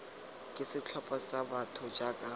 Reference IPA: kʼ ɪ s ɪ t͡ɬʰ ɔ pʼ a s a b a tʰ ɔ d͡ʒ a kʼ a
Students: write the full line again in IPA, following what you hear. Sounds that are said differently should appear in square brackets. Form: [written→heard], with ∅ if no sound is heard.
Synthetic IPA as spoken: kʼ ɪ s ɪ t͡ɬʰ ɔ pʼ a s a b a tʰ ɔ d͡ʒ a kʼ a